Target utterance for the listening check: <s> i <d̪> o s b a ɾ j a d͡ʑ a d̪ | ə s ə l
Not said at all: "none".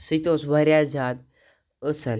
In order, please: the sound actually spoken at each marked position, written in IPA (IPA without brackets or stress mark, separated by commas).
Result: s, t̪